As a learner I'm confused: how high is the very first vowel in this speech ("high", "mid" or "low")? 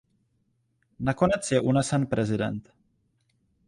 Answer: low